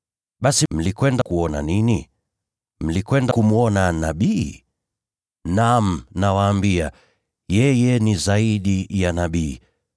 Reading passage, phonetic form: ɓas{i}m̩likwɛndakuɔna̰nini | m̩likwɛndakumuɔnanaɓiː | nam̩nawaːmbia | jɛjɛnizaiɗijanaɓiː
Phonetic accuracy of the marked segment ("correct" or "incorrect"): correct